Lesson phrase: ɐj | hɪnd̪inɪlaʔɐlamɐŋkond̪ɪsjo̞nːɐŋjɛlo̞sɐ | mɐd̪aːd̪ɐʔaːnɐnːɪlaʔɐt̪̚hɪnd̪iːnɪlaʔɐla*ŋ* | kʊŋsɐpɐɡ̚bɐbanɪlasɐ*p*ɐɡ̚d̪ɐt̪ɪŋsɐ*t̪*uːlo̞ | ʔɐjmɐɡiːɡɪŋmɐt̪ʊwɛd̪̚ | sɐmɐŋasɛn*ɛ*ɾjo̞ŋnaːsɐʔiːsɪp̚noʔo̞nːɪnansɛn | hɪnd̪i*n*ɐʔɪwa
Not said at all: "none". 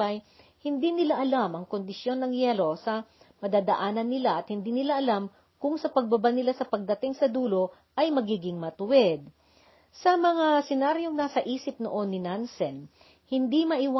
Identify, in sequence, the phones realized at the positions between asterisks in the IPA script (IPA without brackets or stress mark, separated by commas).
m, p, d̪, a, m